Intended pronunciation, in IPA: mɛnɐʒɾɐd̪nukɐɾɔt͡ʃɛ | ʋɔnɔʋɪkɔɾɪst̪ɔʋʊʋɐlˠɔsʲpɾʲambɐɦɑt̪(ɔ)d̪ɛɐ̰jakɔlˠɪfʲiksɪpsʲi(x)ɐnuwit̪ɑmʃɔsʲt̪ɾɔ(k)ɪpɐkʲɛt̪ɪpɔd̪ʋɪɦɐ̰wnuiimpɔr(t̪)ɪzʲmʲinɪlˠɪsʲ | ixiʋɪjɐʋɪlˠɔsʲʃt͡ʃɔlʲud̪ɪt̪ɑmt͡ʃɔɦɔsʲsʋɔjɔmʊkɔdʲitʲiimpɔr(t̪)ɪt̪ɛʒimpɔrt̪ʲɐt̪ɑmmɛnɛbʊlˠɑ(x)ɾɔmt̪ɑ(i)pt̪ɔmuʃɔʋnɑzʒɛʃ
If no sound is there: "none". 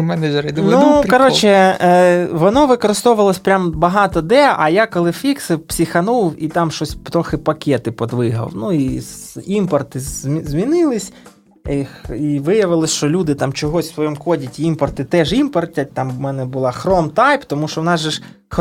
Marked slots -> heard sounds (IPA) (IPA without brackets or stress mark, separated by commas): ɔ, x, x, t̪, t̪, x, j